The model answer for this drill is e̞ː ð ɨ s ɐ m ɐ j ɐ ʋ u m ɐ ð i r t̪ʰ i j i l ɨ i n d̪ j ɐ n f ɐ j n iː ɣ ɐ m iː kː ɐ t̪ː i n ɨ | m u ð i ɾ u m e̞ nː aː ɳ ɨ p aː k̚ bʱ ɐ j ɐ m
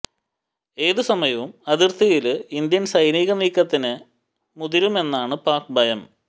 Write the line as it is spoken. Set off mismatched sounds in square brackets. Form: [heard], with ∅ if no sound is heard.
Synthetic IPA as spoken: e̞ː ð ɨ s ɐ m ɐ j ɐ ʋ u m ɐ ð i r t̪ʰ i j i l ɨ i n d̪ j ɐ n [s] ɐ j n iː ɣ ɐ m iː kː ɐ t̪ː i n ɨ | m u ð i ɾ u m e̞ nː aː ɳ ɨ p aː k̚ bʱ ɐ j ɐ m